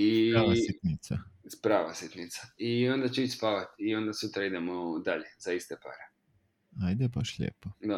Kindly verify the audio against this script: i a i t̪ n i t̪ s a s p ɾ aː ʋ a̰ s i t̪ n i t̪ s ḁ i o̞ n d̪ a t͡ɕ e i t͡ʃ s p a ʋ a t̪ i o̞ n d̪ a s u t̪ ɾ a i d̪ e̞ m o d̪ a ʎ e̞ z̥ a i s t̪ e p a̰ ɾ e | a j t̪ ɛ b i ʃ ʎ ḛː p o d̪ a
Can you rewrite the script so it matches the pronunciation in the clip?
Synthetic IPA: i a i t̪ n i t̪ s a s p ɾ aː ʋ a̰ s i t̪ n i t̪ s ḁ i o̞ n d̪ a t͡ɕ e i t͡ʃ s p a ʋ a t̪ i o̞ n d̪ a s u t̪ ɾ a i d̪ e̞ m o d̪ a ʎ e̞ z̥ a i s t̪ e p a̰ ɾ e | a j d̪ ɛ b a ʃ ʎ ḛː p o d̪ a